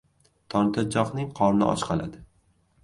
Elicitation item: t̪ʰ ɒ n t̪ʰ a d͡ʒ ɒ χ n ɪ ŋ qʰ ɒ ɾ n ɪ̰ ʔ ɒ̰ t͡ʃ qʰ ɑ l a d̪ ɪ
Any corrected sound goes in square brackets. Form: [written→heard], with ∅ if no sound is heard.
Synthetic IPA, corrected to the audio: t̪ʰ ɒ n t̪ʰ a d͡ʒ ɒ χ n ɪ ŋ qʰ ɒ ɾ n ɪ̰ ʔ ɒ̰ t͡ʃ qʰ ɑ l a d̪ ɪ